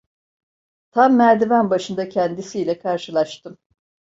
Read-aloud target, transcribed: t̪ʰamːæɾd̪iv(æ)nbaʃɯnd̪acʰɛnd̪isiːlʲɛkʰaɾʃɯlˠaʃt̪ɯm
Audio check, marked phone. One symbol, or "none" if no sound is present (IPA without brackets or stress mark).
æ